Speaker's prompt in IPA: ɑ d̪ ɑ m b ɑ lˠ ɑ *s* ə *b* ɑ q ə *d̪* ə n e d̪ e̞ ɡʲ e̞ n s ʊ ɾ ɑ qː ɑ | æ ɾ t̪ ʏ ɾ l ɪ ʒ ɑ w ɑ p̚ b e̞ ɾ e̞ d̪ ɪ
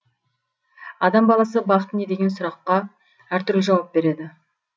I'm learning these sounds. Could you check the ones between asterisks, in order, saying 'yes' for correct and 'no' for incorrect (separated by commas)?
yes, yes, no